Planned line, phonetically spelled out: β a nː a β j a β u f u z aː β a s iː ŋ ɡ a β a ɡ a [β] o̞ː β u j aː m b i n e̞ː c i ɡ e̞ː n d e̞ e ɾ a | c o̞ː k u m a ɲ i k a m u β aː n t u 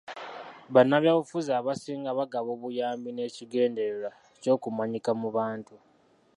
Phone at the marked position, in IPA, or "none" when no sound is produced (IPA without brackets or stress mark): β